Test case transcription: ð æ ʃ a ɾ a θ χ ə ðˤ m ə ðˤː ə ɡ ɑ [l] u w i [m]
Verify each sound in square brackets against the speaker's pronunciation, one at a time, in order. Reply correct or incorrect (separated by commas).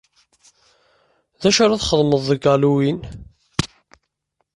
correct, incorrect